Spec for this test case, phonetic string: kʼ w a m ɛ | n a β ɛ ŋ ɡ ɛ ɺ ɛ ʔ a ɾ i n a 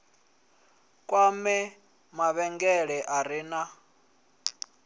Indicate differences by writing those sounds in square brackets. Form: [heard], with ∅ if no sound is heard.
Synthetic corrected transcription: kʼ w a m ɛ | [m] a β ɛ ŋ ɡ ɛ ɺ ɛ ʔ a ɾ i n a